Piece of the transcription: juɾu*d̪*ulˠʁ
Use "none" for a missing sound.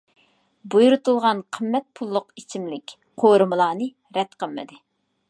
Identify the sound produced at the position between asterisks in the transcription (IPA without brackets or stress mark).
t̪